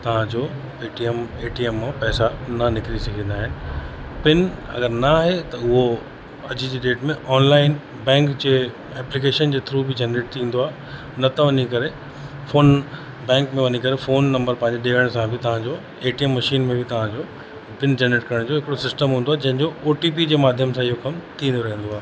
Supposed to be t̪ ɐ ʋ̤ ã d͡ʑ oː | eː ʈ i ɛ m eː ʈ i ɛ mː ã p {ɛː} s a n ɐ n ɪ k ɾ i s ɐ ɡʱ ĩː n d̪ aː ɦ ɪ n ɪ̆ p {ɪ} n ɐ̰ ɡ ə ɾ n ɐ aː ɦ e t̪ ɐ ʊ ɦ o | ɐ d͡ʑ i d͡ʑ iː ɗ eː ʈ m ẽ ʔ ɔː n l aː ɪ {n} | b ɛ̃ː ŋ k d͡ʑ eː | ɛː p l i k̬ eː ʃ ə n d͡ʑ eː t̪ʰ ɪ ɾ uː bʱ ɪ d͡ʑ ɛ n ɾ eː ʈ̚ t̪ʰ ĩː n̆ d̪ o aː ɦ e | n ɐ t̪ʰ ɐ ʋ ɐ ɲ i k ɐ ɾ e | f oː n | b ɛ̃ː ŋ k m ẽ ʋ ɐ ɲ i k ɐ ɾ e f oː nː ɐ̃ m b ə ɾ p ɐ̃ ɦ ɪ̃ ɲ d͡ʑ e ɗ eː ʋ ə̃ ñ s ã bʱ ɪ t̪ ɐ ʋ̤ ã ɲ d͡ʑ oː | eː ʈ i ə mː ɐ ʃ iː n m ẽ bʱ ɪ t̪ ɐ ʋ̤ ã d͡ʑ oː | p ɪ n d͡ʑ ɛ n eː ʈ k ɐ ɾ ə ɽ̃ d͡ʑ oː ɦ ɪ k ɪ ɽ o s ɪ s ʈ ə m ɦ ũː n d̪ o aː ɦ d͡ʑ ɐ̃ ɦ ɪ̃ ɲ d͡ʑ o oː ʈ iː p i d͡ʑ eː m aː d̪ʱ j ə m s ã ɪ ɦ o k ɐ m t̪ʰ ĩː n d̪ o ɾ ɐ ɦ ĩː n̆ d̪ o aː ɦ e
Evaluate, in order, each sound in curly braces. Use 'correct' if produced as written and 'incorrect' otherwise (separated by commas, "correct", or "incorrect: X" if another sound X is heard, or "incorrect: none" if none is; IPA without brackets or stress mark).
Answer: correct, correct, correct